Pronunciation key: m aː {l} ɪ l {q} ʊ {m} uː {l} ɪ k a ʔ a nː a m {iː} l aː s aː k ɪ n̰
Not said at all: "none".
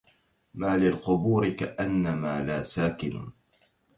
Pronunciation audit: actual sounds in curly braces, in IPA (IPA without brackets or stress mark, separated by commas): l, q, b, ɾ, aː